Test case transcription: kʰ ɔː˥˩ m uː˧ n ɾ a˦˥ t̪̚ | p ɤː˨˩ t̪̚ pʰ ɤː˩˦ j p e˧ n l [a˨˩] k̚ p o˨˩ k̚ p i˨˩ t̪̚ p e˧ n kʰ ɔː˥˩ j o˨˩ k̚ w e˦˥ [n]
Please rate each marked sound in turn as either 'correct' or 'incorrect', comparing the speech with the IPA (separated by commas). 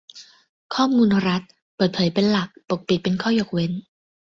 correct, correct